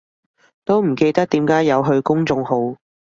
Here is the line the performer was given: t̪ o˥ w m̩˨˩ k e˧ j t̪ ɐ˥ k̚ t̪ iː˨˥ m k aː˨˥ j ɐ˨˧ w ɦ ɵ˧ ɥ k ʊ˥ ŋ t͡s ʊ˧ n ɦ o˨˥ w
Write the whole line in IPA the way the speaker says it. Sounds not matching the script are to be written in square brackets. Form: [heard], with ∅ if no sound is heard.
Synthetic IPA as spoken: t̪ o˥ w m̩˨˩ k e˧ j t̪ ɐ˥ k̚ t̪ iː˨˥ m k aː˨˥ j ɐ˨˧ w ɦ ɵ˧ ɥ k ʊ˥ ŋ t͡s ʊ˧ [ŋ] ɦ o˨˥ w